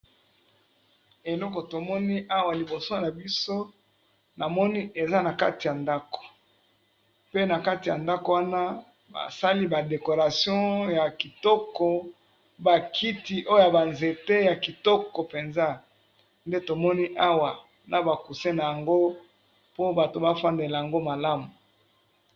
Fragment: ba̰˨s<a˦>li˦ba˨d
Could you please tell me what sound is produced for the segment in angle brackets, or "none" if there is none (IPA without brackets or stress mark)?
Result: a˦